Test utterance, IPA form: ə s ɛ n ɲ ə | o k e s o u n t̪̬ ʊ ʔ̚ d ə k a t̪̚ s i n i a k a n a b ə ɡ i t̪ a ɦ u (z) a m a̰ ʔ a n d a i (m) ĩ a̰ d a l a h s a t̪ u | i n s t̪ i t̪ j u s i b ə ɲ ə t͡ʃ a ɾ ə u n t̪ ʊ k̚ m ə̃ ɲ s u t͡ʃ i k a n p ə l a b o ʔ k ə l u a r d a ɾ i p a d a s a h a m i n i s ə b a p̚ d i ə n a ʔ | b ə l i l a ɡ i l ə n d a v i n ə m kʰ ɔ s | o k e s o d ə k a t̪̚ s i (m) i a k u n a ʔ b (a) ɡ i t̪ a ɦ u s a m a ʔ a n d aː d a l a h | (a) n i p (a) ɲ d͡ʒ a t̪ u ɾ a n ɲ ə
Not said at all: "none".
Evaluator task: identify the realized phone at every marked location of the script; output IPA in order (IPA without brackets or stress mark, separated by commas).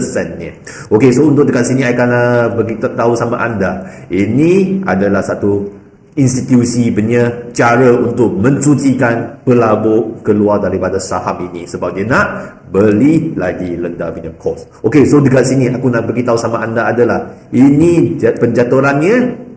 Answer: s, n, n, ə, i, ə